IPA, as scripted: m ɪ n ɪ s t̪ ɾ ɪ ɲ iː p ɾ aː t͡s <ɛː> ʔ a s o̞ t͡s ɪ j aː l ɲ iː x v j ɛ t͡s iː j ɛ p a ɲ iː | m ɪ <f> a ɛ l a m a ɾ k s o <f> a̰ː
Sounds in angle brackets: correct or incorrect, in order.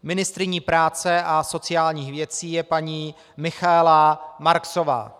incorrect, incorrect, incorrect

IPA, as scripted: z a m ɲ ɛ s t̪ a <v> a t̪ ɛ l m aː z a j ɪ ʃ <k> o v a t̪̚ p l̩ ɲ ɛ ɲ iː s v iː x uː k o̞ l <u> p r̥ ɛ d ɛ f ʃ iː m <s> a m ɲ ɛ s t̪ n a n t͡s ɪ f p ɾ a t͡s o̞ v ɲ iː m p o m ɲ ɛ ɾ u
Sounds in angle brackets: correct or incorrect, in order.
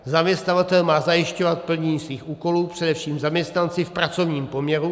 correct, incorrect, incorrect, incorrect

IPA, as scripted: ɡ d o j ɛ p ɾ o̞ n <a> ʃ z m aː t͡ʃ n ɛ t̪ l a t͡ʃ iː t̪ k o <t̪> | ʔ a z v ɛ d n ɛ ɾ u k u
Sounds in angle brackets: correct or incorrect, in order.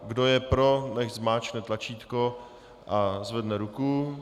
incorrect, incorrect

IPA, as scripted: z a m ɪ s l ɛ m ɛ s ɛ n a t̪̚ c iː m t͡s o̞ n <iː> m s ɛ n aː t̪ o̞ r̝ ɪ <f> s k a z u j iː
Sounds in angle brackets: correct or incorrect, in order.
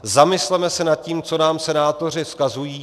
incorrect, correct

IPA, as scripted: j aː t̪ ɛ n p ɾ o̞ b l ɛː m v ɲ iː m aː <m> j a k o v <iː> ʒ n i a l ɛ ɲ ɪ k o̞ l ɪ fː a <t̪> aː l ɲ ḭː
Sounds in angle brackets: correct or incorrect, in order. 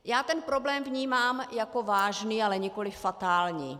correct, incorrect, correct

